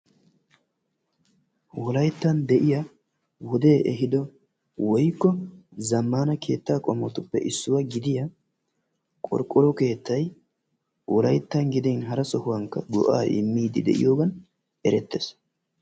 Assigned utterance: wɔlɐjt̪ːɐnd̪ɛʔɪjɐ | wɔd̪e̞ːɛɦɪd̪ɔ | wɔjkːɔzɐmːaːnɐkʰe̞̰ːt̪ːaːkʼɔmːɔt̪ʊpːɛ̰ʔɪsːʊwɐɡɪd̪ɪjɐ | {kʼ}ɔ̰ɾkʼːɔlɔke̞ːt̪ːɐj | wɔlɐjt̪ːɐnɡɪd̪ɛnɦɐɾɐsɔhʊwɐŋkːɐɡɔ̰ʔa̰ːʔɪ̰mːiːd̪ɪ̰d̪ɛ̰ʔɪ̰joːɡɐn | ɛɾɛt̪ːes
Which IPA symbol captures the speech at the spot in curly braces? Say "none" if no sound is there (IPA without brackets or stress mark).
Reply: kʼ